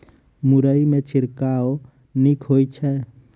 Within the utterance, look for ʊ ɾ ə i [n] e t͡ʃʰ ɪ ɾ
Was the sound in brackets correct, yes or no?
no